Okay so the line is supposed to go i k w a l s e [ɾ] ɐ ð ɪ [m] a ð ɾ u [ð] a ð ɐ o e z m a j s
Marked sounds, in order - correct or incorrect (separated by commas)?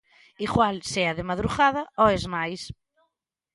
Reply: incorrect, correct, incorrect